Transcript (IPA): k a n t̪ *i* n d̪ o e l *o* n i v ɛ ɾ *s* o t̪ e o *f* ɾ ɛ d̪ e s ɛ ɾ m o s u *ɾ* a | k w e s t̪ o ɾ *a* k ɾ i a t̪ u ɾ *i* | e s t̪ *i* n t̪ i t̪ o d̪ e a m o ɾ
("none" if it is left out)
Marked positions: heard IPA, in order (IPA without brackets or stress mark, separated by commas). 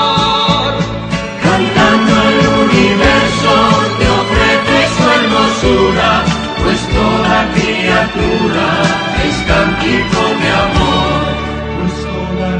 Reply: a, u, s, f, ɾ, a, a, a